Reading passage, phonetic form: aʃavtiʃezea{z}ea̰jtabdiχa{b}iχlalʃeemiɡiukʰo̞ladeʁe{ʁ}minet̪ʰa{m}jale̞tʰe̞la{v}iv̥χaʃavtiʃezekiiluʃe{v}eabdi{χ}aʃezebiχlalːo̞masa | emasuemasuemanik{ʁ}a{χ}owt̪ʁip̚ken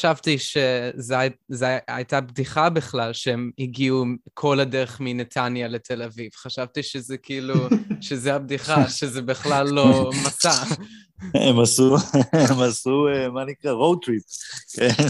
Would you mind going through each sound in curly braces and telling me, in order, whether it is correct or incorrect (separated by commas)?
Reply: correct, correct, incorrect, incorrect, correct, incorrect, correct, correct, incorrect